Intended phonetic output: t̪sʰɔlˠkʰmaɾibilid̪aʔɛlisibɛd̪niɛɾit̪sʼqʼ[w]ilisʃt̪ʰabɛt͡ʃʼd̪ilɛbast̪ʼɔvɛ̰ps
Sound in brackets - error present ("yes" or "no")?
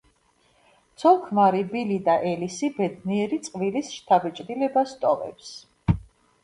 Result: yes